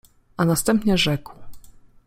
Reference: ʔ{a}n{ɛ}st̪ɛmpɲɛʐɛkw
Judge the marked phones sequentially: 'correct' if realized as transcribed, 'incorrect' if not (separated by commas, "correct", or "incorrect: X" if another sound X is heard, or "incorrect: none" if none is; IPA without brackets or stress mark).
correct, incorrect: a